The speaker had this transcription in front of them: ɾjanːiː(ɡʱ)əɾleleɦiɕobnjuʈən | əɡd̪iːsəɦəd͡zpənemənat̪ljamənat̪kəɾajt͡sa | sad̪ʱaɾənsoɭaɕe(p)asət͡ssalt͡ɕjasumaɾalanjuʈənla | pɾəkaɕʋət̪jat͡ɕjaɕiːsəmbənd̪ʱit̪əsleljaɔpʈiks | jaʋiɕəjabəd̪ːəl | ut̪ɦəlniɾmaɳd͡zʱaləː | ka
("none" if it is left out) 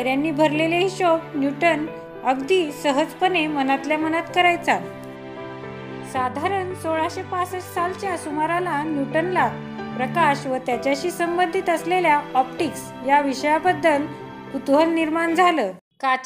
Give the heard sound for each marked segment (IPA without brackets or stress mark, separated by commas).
bʱ, p